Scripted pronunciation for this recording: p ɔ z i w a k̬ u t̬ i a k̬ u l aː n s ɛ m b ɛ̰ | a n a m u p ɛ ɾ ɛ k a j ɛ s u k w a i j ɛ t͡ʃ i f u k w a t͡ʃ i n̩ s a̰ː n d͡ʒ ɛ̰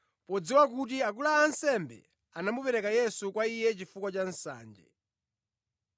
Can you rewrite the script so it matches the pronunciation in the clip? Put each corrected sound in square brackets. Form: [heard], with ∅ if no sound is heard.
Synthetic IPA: p ɔ [d͡z] i w a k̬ u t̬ i a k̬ u l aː n s ɛ m b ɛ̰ | a n a m u p ɛ ɾ ɛ k a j ɛ s u k w a i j ɛ t͡ʃ i f u k w a t͡ʃ [a] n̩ s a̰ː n d͡ʒ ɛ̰